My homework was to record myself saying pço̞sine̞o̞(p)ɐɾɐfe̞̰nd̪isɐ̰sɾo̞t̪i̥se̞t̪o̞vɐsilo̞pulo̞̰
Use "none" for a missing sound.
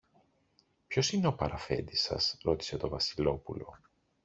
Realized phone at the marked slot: p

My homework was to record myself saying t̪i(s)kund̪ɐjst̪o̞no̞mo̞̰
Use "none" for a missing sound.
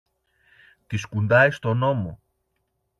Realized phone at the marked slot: s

